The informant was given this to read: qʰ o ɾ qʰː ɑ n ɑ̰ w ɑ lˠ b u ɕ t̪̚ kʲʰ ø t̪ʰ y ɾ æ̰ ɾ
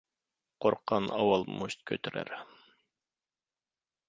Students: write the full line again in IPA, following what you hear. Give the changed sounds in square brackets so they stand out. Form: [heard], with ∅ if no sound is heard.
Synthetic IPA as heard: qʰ o ɾ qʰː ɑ n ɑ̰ w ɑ lˠ [m] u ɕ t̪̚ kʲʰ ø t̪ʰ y ɾ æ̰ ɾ